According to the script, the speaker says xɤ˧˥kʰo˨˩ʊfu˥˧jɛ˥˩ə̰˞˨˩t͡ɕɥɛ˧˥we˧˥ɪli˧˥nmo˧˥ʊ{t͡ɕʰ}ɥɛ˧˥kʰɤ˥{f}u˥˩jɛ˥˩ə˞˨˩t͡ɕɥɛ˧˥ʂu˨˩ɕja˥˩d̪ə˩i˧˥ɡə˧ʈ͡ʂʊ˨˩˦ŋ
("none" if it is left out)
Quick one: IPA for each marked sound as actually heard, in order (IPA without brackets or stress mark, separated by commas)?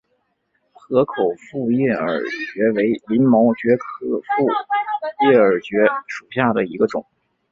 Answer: t͡ɕ, f